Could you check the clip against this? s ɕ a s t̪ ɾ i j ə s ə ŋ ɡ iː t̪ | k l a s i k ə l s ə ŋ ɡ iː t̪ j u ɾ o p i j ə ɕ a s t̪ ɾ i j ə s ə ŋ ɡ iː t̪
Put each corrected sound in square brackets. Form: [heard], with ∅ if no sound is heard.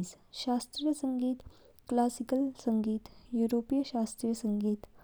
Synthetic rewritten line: s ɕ a s t̪ ɾ i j ə s ə ŋ ɡ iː t̪ | k l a s i k ə l s ə ŋ ɡ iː t̪ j u ɾ o p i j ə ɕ a s t̪ ɾ i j ə s ə ŋ ɡ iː t̪

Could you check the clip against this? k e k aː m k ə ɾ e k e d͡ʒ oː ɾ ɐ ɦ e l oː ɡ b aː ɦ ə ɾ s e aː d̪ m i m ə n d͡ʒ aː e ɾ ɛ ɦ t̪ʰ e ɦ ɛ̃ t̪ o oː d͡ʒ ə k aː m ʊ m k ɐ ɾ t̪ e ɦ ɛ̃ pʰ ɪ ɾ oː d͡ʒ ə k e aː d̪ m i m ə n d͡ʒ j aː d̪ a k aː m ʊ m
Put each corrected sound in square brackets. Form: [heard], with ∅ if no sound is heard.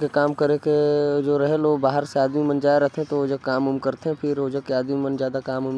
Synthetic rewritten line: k e k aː m k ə ɾ e k e d͡ʒ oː ɾ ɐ ɦ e l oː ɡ b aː ɦ ə ɾ s e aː d̪ m i m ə n d͡ʒ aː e ɾ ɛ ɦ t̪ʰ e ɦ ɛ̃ t̪ o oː d͡ʒ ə k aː m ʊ m k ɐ ɾ t̪ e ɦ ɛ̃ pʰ ɪ ɾ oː d͡ʒ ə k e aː d̪ m i m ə n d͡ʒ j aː d̪ a k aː m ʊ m

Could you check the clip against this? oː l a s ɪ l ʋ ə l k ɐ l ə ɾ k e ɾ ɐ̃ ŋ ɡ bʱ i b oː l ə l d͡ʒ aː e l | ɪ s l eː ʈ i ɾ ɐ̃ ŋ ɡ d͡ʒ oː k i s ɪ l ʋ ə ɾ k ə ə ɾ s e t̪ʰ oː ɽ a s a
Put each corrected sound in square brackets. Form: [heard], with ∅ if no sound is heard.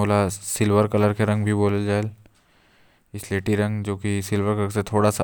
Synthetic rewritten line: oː l a s ɪ l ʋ ə [ɾ] k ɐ l ə ɾ k e ɾ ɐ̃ ŋ ɡ bʱ i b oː l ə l d͡ʒ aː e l | ɪ s l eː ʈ i ɾ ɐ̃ ŋ ɡ d͡ʒ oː k i s ɪ l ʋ ə ɾ k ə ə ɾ s e t̪ʰ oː ɽ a s a

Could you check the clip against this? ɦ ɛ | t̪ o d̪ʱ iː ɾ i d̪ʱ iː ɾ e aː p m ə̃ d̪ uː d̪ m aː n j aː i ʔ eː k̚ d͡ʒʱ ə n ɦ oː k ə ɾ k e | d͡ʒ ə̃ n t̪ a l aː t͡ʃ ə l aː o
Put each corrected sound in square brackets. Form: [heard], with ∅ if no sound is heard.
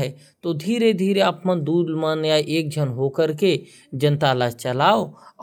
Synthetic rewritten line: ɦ ɛ | t̪ o d̪ʱ iː ɾ [e] d̪ʱ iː ɾ e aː p m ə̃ d̪ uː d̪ m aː n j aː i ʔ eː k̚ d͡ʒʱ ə n ɦ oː k ə ɾ k e | d͡ʒ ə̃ n t̪ a l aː t͡ʃ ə l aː o

